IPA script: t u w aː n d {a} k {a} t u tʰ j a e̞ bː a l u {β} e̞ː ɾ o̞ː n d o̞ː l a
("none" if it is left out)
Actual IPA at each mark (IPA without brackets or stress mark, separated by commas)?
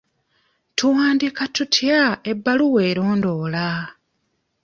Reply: i, a, w